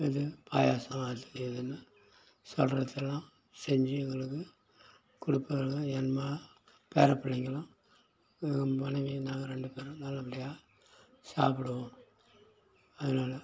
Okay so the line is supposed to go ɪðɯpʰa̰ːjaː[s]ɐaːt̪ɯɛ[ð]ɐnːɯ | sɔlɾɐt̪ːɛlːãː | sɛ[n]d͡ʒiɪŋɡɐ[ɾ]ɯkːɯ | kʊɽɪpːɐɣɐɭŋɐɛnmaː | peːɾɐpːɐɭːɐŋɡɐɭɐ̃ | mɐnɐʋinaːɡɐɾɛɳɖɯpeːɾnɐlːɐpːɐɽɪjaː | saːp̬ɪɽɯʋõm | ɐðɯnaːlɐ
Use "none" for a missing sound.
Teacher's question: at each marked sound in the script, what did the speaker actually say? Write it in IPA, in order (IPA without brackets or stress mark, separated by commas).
s, ð, ɲ, ɭ